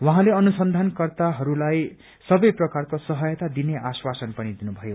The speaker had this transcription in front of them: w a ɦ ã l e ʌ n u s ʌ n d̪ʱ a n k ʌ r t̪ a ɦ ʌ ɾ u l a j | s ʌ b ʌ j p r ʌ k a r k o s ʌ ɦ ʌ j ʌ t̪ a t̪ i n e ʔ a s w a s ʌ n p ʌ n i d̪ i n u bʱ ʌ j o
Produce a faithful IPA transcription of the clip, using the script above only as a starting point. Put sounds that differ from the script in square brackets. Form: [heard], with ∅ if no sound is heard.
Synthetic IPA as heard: w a ɦ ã l e ʌ n u s ʌ n d̪ʱ a n k ʌ r t̪ a ɦ ʌ ɾ u l a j | s ʌ b ʌ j p r ʌ k a r k o s ʌ ɦ ʌ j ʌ t̪ a [d̪] i n e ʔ a s w a s ʌ n p ʌ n i d̪ i n u bʱ ʌ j o